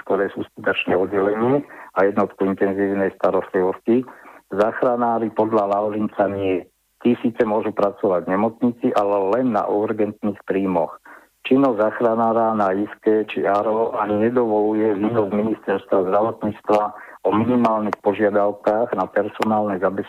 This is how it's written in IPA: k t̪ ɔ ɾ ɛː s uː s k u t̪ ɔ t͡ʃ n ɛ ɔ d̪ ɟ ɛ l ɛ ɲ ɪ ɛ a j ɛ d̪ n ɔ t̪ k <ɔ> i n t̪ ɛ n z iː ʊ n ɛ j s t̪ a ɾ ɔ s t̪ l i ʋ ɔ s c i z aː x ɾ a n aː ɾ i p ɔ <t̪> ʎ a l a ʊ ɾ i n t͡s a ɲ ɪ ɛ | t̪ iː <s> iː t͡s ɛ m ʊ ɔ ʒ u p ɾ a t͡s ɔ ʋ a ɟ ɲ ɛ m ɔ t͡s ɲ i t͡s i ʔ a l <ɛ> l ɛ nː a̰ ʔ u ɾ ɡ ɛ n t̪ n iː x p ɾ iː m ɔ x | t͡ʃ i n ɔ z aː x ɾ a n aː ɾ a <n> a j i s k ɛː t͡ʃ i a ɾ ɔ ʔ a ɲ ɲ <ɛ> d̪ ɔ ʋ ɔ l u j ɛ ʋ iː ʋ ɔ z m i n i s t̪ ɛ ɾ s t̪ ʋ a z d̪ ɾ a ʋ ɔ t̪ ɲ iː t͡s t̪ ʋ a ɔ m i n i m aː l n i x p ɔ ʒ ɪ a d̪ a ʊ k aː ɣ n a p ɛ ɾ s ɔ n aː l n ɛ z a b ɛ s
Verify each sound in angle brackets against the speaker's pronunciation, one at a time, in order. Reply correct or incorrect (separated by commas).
incorrect, incorrect, correct, correct, correct, correct